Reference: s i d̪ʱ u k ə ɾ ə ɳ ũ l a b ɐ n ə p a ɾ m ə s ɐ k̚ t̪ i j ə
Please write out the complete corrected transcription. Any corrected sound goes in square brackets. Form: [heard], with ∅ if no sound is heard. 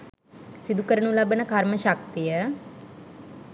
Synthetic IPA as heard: s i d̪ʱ u k ə ɾ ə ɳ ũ l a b [ə] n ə [k] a ɾ m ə [ʃ] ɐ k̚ t̪ i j ə

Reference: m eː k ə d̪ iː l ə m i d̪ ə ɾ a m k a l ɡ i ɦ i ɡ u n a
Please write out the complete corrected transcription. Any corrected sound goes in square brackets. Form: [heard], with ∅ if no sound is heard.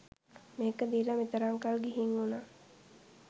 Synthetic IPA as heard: m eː k ə d̪ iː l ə m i [t̪] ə ɾ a [ŋ] k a l ɡ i ɦ i [ŋ] u n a

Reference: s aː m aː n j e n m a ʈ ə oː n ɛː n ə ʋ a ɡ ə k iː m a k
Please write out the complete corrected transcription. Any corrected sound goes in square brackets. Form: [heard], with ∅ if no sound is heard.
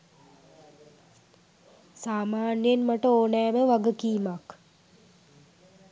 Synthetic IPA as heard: s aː m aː n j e n m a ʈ ə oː n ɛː [m] ə ʋ a ɡ ə k iː m a k

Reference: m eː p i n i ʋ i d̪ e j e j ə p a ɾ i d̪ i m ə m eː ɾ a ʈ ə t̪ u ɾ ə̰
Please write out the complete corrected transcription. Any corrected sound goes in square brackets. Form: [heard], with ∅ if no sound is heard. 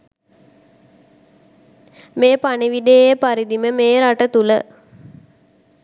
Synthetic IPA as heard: m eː p [a] n i ʋ i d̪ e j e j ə p a ɾ i d̪ i m ə m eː ɾ a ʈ ə t̪ u [l] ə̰

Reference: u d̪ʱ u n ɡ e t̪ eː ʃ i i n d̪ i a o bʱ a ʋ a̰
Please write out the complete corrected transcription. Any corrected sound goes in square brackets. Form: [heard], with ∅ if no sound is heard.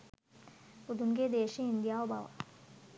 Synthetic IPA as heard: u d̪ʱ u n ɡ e [d̪] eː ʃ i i n d̪ [j] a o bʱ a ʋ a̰

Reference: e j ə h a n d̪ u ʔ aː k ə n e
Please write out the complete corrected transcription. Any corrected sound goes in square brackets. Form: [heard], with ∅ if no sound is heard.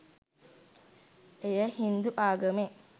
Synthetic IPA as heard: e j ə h [i] n d̪ u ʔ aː [ɡ] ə [m] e

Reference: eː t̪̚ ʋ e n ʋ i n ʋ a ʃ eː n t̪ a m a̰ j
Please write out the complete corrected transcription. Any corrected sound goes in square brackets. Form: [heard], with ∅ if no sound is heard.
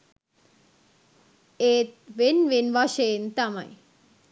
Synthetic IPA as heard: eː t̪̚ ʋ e n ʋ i n ʋ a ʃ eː n t̪ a m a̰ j

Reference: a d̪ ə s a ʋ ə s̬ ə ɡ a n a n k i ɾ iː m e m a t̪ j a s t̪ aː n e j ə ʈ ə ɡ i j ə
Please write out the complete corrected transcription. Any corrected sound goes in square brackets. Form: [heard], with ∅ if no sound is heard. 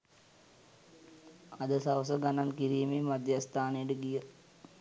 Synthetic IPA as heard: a d̪ ə s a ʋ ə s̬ ə ɡ a n a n k i ɾ iː m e m a [d̪] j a s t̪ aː n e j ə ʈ ə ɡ i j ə

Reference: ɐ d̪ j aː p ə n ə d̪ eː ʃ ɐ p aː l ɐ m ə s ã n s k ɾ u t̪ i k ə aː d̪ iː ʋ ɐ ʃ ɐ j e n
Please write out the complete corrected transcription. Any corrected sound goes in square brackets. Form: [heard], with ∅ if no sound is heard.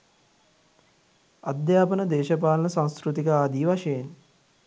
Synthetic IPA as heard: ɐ d̪ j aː p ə n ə d̪ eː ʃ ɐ p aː l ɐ [n] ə s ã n s k ɾ u t̪ i k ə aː d̪ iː ʋ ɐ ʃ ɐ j e n

